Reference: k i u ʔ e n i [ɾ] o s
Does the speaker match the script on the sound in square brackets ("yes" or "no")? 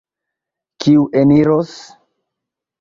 yes